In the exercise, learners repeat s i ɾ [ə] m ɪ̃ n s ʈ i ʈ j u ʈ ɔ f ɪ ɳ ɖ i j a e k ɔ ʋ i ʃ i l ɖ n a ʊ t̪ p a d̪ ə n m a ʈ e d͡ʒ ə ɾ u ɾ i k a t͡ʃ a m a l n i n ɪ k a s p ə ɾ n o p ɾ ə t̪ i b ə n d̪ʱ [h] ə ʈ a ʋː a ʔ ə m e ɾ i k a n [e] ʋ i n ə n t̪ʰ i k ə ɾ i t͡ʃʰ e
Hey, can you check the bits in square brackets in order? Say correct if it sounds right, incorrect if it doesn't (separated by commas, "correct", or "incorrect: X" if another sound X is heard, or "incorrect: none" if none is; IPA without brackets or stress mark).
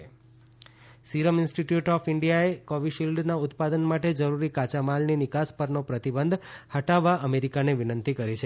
correct, correct, correct